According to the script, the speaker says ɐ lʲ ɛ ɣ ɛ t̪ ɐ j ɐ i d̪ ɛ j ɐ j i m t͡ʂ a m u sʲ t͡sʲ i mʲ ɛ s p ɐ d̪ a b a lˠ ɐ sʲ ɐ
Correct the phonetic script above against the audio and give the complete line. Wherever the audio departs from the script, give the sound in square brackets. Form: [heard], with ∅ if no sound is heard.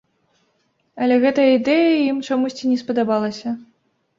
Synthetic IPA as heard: ɐ lʲ ɛ ɣ ɛ t̪ ɐ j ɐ i d̪ ɛ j ɐ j i m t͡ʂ a m u sʲ t͡sʲ i [nʲ] ɛ s p ɐ d̪ a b a lˠ ɐ sʲ ɐ